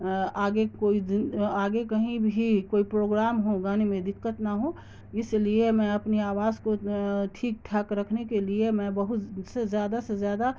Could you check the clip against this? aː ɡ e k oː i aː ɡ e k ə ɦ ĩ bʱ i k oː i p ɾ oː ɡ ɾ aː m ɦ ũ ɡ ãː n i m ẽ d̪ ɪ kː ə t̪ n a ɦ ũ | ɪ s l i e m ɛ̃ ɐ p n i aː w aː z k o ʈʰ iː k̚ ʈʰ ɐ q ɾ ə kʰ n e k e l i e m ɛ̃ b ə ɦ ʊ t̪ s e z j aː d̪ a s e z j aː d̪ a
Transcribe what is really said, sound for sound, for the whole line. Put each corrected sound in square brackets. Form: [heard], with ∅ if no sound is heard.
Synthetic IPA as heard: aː ɡ e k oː i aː ɡ e k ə ɦ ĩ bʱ i k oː i p ɾ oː ɡ ɾ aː m ɦ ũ ɡ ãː n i m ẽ d̪ ɪ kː ə t̪ n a ɦ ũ | ɪ s l i e m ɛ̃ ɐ p n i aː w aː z k o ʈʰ iː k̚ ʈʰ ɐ [k] ɾ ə kʰ n e k e l i e m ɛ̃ b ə ɦ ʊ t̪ s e z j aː d̪ a s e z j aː d̪ a